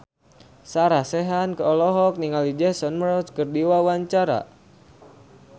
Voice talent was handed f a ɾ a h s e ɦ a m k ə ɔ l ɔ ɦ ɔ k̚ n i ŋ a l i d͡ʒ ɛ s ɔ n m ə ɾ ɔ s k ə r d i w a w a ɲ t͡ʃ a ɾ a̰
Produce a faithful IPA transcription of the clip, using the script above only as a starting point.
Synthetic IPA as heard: s a ɾ a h s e ɦ a n k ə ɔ l ɔ ɦ ɔ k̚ n i ŋ a l i d͡ʒ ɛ s ɔ n m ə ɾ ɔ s k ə r d i w a w a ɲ t͡ʃ a ɾ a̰